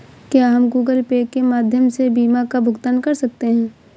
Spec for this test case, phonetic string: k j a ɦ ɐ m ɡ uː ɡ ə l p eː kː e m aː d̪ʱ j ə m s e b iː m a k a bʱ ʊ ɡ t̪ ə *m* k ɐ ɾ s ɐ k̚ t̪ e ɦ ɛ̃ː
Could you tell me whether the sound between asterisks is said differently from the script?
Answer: yes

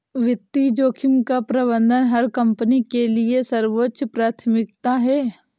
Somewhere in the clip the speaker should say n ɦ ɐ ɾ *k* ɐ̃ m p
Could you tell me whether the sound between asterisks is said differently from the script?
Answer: no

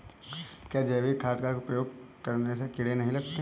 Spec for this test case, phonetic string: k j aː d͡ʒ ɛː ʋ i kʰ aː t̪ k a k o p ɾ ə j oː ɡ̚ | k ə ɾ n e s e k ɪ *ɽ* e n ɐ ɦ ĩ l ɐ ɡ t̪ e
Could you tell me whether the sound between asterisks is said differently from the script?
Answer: no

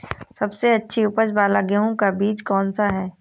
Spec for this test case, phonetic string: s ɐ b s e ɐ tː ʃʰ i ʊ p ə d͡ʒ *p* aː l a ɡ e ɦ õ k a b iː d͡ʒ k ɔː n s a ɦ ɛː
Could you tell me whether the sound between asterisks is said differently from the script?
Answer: yes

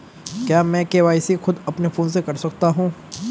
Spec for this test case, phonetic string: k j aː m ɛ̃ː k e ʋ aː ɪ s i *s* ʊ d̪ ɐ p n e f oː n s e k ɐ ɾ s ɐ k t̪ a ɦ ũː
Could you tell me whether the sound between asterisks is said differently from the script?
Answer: yes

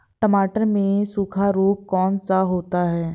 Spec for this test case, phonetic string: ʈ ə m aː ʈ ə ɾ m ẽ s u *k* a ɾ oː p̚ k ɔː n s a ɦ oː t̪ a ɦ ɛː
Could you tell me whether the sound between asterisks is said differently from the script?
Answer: yes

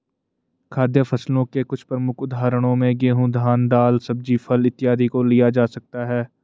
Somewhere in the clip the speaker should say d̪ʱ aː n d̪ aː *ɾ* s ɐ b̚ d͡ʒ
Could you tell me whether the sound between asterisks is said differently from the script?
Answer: yes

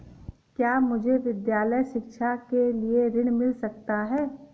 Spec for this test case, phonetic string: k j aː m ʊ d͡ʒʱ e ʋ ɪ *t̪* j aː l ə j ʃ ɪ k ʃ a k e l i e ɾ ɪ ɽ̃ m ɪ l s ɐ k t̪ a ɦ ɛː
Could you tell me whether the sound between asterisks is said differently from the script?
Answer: yes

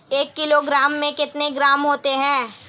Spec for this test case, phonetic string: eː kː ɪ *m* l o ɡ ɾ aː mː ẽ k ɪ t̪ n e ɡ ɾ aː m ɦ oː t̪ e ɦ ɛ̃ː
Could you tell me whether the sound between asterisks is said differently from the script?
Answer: yes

